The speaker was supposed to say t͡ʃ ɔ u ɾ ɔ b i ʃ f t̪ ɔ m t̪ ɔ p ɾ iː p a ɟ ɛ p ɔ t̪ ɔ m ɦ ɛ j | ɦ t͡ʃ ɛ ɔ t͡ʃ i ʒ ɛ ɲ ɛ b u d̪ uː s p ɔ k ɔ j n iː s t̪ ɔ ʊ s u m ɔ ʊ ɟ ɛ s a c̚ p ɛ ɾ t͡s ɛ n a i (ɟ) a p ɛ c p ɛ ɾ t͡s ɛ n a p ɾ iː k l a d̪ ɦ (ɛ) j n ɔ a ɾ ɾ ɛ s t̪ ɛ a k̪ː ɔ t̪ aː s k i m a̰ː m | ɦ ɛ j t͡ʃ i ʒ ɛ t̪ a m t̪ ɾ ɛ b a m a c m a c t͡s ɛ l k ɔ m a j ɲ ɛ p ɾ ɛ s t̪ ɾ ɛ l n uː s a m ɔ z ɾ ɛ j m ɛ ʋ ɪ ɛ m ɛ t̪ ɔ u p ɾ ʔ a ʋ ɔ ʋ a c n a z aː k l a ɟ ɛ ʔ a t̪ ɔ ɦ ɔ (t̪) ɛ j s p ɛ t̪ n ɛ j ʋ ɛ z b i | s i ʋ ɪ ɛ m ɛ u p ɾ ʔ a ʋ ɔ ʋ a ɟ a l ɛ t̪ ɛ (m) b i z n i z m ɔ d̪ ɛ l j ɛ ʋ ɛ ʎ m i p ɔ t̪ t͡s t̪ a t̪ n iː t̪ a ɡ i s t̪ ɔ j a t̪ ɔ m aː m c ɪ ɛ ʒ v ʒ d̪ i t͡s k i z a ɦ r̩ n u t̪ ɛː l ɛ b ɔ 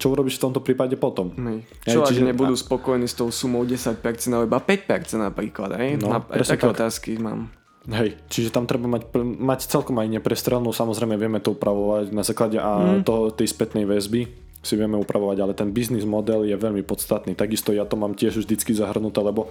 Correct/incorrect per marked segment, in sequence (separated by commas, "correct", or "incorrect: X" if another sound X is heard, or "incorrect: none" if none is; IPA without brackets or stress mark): incorrect: b, correct, correct, incorrect: n